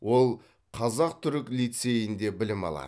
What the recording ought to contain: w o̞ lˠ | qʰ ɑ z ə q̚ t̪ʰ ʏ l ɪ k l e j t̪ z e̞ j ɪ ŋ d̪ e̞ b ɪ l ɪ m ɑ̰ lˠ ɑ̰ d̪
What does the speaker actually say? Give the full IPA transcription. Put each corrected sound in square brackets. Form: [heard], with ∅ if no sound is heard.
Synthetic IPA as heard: w o̞ lˠ | qʰ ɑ z [ɑ] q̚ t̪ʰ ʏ [ɾ] ɪ k l [i] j t̪ [s] e̞ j ɪ [n] d̪ e̞ b ɪ l ɪ m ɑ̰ lˠ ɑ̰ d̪

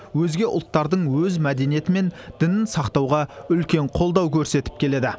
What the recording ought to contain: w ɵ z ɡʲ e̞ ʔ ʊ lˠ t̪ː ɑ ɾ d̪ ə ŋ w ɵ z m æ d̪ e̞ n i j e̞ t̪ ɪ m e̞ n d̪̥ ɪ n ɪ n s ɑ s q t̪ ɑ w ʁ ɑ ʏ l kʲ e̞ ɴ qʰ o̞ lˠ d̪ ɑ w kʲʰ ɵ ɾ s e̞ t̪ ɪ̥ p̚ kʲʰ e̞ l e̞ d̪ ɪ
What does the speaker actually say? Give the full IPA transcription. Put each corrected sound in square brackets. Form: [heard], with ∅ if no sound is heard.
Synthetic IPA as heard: w ɵ z ɡʲ e̞ ʔ ʊ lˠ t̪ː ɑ ɾ d̪ ə [ɴ] w ɵ z m æ d̪ e̞ n i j e̞ t̪ ɪ m e̞ n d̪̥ ɪ n ɪ n s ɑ [∅] q t̪ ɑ w ʁ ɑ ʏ l kʲ e̞ ɴ qʰ o̞ lˠ d̪ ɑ w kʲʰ ɵ ɾ s e̞ t̪ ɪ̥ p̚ kʲʰ e̞ l e̞ d̪ ɪ

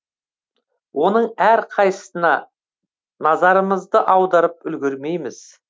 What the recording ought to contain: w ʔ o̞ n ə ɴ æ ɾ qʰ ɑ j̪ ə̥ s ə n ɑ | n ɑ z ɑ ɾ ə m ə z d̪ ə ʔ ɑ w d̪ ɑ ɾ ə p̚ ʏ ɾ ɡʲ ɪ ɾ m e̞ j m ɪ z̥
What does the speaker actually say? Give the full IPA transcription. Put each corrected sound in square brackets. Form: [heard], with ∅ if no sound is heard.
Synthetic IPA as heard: w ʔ o̞ n ə ɴ æ ɾ qʰ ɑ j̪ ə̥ s ə n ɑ | n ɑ z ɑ ɾ ə m ə z d̪ ə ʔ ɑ w d̪ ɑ ɾ ə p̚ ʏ [l] ɡʲ ɪ ɾ m e̞ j m ɪ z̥

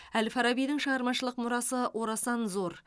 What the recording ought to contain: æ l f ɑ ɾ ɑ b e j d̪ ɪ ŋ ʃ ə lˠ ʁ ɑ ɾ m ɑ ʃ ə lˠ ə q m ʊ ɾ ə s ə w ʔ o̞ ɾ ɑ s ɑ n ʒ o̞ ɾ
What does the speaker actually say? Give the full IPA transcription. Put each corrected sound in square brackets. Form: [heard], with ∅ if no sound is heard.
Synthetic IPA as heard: æ l f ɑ ɾ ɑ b [i] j d̪ ɪ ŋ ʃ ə [∅] ʁ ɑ ɾ m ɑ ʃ ə lˠ ə q m ʊ ɾ [ɑ] s ə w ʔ o̞ ɾ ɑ s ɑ n [z] o̞ ɾ

